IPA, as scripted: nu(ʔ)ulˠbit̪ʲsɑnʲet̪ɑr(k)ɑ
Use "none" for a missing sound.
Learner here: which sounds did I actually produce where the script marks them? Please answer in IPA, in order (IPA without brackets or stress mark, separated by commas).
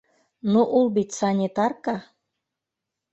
ʔ, k